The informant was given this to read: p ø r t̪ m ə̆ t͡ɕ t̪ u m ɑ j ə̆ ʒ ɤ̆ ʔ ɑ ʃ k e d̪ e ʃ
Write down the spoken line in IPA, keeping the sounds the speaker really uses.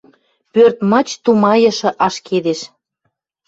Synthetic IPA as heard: p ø r t̪ m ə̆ t͡ɕ t̪ u m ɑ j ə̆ ʃ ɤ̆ ʔ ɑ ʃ k e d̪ e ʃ